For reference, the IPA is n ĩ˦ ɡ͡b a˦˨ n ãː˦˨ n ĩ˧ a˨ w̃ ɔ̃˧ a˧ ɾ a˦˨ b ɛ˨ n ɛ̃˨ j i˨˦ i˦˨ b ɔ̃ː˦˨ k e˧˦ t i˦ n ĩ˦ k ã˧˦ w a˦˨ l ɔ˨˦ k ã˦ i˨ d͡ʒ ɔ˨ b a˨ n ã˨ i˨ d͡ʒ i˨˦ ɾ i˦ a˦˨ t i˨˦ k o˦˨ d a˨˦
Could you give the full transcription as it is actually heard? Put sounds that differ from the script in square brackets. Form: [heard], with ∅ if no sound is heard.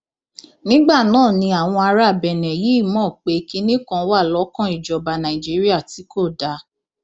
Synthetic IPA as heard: n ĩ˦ ɡ͡b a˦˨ n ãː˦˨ n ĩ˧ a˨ w̃ ɔ̃˧ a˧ ɾ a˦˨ b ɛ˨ n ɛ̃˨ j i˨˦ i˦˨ [m] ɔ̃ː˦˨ [k͡p] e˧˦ [k] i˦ n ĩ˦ k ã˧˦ w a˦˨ l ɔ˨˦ k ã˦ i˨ d͡ʒ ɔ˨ b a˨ n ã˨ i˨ d͡ʒ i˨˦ ɾ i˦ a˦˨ t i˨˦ k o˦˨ d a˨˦